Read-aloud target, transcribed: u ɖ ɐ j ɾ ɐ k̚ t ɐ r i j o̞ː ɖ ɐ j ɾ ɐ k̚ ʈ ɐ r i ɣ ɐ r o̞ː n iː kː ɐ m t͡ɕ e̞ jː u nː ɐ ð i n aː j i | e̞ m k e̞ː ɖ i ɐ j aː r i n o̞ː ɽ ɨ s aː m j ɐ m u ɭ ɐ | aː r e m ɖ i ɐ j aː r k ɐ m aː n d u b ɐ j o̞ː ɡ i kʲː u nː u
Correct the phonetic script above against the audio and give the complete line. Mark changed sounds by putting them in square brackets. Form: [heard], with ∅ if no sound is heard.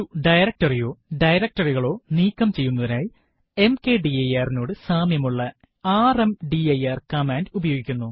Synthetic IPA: u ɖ ɐ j ɾ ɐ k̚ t ɐ r i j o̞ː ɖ ɐ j ɾ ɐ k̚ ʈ ɐ r i ɣ ɐ [ɭ] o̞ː n iː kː ɐ m t͡ɕ e̞ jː u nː ɐ ð i n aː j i | e̞ m k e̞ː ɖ i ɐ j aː r i n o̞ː ɽ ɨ s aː m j ɐ m u [ɭː] ɐ | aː r e m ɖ i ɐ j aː r k ɐ m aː n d u b ɐ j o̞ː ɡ i kʲː u nː u